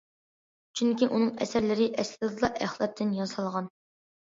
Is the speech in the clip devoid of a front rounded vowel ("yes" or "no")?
no